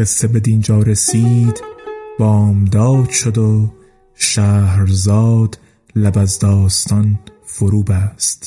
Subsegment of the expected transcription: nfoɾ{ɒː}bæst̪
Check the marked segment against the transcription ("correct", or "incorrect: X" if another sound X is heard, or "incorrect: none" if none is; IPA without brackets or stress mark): incorrect: uː